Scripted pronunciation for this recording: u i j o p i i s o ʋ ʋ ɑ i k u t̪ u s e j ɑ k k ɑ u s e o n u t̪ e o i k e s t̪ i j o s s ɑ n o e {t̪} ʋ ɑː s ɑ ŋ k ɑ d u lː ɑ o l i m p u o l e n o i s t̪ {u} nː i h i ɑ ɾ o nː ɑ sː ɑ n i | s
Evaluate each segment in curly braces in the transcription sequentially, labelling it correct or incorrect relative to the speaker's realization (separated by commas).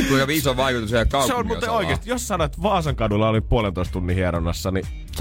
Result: correct, correct